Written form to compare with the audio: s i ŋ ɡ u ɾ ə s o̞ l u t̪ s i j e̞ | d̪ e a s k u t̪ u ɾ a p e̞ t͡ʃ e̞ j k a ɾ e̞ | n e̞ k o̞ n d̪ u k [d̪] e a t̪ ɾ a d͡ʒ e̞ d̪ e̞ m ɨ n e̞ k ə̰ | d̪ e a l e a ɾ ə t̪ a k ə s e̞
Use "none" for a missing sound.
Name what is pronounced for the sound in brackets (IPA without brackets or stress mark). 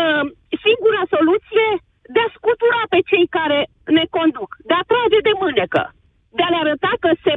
d̪